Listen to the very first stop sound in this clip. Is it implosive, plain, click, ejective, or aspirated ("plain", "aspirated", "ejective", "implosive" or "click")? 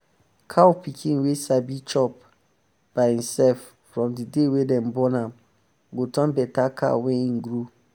aspirated